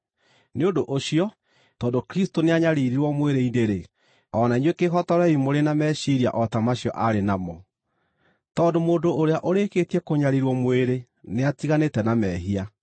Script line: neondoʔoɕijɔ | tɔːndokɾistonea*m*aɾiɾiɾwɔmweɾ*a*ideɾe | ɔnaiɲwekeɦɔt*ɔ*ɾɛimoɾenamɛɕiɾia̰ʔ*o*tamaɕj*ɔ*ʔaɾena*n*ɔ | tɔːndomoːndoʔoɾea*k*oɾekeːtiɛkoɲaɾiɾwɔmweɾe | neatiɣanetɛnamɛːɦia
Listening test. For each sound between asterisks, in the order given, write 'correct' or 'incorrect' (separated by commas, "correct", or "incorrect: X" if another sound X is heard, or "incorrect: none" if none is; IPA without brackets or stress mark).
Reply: incorrect: ɲ, incorrect: e, correct, incorrect: ɔ, correct, incorrect: m, incorrect: ʔ